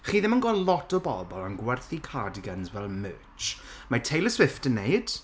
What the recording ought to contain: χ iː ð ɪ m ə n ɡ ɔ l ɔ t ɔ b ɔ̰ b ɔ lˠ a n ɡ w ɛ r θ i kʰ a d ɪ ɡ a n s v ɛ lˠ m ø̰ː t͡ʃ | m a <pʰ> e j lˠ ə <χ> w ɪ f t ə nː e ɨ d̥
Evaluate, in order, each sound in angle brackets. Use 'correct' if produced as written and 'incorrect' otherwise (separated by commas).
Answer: incorrect, incorrect